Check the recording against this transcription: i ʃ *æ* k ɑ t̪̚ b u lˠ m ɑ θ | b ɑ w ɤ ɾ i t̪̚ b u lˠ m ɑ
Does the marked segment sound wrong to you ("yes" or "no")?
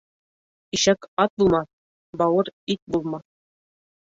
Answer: no